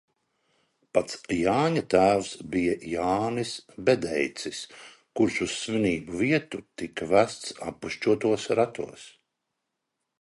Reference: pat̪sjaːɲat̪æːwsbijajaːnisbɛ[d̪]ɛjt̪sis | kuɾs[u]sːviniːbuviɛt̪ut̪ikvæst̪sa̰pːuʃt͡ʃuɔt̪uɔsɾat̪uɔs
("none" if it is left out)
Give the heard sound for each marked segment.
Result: d̪, u

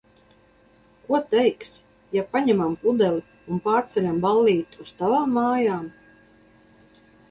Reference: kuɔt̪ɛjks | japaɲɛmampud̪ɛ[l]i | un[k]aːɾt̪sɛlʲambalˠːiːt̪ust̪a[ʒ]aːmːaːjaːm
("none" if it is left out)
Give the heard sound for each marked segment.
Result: l, p, v

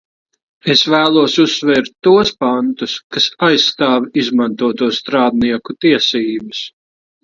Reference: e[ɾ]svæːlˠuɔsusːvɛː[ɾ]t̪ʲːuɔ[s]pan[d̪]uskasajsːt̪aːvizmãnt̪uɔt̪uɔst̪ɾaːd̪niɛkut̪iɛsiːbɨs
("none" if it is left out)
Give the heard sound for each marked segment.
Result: none, ɾ, s, t̪

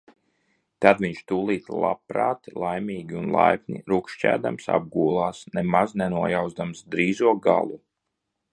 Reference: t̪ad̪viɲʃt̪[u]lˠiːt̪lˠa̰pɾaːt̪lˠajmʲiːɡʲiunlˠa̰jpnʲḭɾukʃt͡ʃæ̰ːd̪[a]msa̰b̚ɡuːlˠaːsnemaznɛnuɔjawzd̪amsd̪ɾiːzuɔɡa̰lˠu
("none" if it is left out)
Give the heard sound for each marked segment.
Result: uː, a

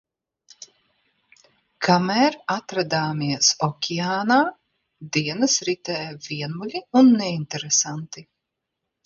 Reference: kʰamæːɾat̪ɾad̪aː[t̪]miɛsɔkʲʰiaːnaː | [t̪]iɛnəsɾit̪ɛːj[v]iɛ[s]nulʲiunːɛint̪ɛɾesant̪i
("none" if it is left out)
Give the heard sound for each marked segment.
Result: none, d̪, v, none

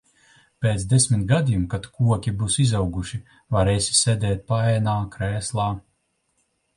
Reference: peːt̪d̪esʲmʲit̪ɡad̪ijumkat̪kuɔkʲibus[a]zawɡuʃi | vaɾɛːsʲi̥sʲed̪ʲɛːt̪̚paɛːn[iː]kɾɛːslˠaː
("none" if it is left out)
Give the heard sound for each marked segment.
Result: i, aː

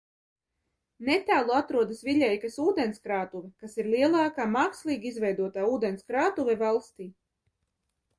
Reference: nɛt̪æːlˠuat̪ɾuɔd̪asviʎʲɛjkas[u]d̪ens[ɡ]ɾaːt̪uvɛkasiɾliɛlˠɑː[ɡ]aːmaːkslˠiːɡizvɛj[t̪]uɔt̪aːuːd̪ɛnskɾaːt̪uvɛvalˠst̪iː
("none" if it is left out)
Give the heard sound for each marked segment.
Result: uː, k, k, d̪

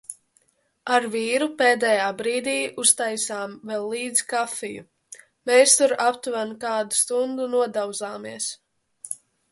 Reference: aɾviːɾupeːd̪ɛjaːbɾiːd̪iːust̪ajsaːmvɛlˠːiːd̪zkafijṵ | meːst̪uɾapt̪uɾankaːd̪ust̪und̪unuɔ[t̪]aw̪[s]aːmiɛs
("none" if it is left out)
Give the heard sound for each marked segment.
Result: d̪, z

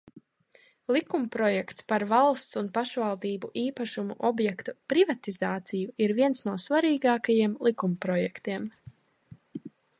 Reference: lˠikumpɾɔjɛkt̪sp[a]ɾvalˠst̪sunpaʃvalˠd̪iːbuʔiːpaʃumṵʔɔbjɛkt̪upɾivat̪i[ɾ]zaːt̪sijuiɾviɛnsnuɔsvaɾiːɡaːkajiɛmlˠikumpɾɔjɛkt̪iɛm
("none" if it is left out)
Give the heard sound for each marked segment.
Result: a, none

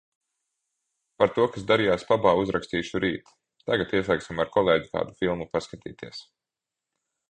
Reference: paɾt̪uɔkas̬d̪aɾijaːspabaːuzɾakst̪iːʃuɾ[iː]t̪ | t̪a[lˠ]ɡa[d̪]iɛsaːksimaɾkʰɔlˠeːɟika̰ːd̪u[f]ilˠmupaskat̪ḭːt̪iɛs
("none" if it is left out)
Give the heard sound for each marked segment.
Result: iː, none, t̪, f

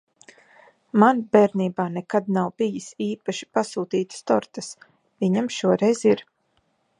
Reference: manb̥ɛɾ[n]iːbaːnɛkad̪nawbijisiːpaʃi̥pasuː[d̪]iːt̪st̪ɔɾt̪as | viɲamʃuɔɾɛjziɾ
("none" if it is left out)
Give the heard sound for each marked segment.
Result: n, t̪

